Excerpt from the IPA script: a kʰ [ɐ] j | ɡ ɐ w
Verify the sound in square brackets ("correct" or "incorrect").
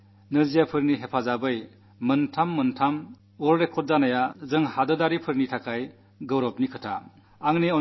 incorrect